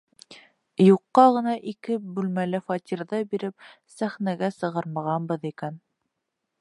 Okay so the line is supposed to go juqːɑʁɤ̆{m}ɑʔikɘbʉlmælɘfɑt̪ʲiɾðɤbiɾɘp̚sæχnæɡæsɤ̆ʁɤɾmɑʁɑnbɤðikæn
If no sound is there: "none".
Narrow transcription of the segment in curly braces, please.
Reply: n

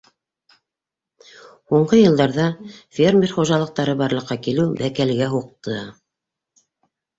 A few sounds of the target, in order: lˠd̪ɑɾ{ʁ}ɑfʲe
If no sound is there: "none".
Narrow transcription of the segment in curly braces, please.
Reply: ð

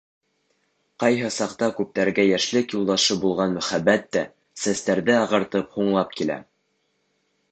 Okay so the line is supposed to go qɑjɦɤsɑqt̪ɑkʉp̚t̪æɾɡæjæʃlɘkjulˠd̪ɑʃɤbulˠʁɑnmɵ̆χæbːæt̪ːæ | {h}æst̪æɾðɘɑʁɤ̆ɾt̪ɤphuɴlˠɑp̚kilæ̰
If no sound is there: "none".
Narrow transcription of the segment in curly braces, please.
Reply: s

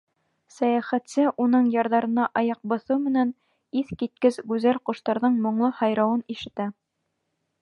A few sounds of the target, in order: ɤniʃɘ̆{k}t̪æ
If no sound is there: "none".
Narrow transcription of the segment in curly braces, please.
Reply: none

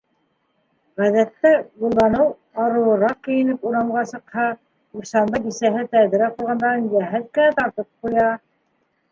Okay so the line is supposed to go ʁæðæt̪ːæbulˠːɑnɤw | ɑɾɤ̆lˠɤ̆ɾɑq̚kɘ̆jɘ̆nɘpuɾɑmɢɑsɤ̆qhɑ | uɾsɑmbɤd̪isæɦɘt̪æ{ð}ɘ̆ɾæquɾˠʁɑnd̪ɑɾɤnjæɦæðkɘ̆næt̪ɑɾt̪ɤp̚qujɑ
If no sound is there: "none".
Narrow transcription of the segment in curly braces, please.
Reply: ð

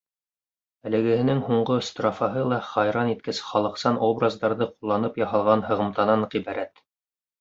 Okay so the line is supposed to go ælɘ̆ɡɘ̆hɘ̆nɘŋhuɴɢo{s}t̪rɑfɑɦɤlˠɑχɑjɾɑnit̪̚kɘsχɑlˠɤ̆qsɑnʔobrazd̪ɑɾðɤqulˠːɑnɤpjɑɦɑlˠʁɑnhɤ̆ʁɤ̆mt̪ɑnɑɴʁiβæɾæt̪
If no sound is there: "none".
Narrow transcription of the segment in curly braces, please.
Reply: s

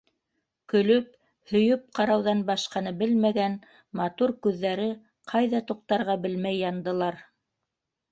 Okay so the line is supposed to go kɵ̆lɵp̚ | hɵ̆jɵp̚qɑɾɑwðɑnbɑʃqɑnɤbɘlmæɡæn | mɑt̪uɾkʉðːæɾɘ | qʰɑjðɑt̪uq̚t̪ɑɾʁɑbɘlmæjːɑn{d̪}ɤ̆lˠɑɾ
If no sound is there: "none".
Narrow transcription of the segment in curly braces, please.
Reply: d̪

